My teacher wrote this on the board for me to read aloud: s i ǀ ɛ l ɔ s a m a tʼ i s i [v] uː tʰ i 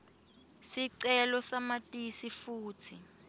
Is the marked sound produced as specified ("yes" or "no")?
no